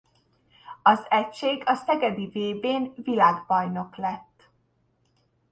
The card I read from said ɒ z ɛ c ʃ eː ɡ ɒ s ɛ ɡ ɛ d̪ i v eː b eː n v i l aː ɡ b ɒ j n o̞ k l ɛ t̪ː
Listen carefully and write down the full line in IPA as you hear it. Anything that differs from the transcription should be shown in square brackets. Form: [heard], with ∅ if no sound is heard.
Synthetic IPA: ɒ z ɛ c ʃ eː ɡ ɒ s ɛ ɡ ɛ d̪ i v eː b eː n v i l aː ɡ b ɒ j n o̞ k l ɛ t̪ː